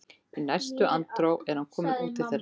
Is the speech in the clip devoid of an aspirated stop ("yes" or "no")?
no